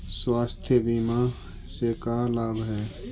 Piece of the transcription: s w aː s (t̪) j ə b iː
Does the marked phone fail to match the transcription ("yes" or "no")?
yes